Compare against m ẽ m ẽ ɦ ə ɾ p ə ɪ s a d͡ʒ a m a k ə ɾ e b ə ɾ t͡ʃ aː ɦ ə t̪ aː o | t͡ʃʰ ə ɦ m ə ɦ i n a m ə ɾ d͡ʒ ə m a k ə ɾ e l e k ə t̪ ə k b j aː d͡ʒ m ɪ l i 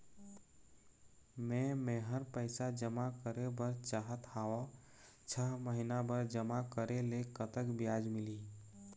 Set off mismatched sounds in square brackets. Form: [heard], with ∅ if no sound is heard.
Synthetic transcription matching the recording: m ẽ m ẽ ɦ ə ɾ p ə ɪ s a d͡ʒ [ə] m a k ə ɾ e b ə ɾ t͡ʃ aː ɦ ə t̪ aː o | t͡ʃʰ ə ɦ m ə ɦ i n a [b] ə ɾ d͡ʒ ə m a k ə ɾ e l e k ə t̪ ə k b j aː d͡ʒ m ɪ l i